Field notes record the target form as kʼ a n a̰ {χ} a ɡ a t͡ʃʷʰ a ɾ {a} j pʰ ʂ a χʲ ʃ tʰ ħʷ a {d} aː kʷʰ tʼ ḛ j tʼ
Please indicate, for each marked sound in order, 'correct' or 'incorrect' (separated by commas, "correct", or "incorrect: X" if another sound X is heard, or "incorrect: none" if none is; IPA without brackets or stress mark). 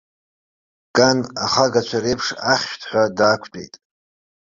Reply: correct, incorrect: e, correct